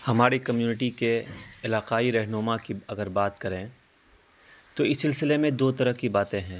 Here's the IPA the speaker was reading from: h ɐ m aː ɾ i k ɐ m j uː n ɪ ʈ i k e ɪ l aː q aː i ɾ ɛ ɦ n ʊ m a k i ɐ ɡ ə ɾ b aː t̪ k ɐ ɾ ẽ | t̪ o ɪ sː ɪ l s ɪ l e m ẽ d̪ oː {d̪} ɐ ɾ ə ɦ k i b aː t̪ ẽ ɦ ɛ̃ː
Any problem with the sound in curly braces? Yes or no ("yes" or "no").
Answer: yes